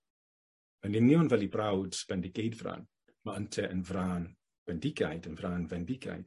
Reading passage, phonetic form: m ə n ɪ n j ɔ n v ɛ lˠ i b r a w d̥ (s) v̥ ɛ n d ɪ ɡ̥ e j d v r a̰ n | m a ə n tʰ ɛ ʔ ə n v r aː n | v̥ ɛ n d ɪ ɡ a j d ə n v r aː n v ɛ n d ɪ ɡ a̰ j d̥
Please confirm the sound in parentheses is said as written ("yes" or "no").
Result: yes